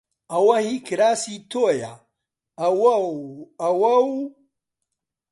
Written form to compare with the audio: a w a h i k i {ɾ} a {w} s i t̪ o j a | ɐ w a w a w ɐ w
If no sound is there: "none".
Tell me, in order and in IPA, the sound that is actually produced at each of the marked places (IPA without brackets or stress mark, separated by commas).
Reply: ɾ, none